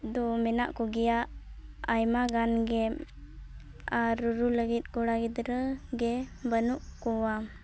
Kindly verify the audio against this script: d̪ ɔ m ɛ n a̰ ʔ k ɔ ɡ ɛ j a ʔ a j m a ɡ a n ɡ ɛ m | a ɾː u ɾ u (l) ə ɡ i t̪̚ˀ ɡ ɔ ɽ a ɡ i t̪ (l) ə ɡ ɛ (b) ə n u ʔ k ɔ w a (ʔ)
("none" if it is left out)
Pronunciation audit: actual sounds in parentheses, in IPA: l, ɾ, b, none

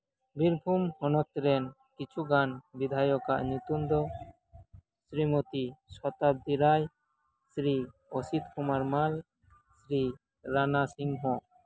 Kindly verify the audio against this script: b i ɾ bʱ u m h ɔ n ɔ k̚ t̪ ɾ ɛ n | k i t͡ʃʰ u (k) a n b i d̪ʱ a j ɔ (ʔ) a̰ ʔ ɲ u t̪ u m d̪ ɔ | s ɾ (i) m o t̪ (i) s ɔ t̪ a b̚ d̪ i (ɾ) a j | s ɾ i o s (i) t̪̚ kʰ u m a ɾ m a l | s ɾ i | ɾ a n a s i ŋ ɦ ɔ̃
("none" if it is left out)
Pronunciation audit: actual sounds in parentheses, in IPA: ɡ, k, i, i, ɾ, i

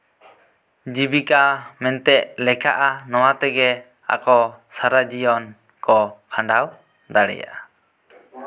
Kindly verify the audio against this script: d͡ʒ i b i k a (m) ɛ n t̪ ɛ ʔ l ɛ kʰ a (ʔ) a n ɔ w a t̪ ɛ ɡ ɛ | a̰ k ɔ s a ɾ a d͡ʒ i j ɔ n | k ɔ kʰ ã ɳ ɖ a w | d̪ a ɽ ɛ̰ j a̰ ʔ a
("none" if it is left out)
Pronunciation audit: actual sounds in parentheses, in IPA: m, ʔ

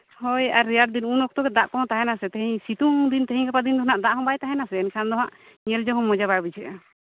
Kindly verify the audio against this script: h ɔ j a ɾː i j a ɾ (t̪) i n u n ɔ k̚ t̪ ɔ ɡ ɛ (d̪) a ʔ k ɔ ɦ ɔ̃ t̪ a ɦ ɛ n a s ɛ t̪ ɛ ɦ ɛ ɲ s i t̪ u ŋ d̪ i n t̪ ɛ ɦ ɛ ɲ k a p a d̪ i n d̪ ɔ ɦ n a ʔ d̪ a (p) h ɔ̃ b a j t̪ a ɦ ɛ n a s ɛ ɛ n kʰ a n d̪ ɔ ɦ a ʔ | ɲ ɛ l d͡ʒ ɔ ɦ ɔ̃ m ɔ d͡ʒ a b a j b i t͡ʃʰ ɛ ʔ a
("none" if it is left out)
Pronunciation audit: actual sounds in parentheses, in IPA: d̪, d̪, ʔ

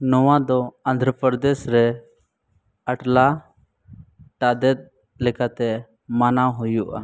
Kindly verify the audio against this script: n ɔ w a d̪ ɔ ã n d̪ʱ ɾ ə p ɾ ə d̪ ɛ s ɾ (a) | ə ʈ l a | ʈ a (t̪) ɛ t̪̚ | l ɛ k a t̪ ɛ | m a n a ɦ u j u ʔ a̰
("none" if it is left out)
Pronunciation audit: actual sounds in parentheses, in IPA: ɛ, d̪

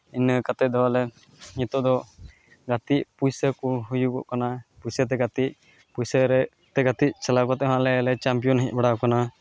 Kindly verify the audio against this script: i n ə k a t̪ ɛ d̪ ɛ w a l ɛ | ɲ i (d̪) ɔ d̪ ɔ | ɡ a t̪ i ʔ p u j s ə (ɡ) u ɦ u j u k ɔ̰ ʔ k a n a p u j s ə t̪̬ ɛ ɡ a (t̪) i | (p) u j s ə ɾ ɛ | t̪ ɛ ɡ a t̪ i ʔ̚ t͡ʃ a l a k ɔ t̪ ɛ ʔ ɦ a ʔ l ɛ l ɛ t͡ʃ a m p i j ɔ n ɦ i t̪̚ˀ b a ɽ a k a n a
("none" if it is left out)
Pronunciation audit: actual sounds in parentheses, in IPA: t̪, k, t̪, p

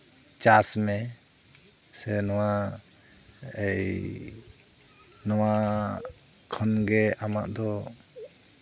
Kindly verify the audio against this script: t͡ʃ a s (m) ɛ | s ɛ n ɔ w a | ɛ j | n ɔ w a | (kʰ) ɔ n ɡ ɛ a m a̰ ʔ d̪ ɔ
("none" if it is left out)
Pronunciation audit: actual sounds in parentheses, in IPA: m, kʰ

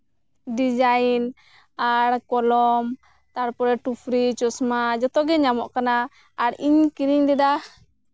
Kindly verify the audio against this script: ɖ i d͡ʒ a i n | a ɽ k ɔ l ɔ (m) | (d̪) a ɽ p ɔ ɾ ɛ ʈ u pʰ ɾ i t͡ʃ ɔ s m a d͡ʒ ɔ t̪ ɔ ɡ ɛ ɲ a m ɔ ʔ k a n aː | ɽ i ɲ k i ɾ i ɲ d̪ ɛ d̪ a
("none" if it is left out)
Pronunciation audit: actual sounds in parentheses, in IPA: m, t̪

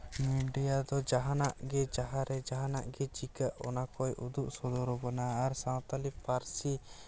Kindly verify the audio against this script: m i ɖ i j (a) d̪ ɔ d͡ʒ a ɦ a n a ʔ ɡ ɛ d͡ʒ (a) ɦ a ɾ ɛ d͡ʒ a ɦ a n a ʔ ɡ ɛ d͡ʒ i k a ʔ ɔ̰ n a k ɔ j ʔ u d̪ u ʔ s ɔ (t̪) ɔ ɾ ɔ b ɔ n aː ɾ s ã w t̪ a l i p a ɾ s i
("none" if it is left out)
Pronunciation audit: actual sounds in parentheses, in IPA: a, a, d̪

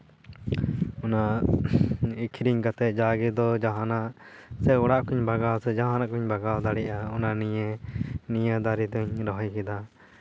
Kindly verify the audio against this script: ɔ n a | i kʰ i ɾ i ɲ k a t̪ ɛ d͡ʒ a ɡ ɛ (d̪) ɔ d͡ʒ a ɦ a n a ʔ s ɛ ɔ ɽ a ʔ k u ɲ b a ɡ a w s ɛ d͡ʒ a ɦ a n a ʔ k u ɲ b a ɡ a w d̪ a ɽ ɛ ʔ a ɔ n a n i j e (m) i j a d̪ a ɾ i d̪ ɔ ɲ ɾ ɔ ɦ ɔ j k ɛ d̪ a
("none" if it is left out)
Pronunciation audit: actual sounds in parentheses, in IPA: d̪, n

